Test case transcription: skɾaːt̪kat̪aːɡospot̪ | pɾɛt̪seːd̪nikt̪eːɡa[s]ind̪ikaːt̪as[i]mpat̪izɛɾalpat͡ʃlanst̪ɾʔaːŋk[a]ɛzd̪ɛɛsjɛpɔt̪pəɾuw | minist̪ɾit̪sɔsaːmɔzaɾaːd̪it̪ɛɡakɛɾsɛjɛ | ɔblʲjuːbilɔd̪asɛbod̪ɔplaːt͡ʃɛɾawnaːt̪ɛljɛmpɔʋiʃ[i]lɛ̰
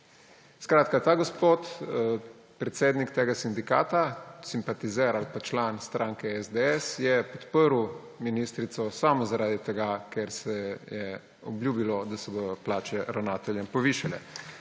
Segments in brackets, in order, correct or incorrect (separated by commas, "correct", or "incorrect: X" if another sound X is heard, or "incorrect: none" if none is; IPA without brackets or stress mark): correct, correct, incorrect: ɛ, incorrect: a